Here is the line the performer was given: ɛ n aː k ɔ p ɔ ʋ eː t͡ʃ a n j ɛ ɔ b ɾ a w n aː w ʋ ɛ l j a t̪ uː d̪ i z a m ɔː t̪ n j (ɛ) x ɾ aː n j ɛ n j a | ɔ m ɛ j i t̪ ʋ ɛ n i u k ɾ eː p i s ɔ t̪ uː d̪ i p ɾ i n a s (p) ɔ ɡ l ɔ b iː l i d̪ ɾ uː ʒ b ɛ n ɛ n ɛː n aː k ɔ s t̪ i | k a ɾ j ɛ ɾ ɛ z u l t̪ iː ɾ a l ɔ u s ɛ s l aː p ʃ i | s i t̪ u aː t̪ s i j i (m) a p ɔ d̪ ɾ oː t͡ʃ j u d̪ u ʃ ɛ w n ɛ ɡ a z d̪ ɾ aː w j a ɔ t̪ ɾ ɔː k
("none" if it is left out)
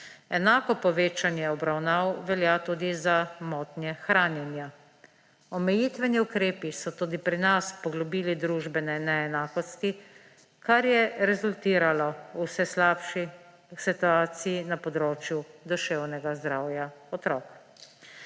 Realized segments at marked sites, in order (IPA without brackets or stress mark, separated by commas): ɛ, p, n